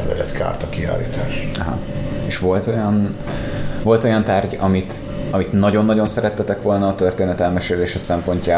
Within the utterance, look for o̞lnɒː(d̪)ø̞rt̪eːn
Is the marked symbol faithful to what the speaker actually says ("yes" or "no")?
no